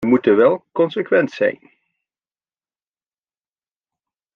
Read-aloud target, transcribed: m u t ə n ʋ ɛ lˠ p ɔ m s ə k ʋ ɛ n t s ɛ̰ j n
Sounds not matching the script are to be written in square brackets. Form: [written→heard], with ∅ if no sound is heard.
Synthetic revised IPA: m u t ə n ʋ ɛ lˠ [p→k] ɔ [m→n] s ə k ʋ ɛ n t s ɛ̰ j n